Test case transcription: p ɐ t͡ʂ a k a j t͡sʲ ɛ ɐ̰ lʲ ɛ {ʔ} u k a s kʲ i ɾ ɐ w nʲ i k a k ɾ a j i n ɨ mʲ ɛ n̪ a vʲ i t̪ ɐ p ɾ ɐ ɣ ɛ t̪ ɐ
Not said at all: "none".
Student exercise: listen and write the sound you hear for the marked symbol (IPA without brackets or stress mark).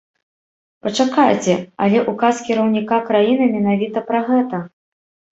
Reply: ʔ